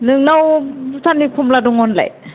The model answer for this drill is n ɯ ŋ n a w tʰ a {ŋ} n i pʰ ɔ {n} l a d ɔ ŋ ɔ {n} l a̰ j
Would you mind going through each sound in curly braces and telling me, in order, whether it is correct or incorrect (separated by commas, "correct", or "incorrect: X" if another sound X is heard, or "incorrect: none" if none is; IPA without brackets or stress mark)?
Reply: incorrect: none, incorrect: m, correct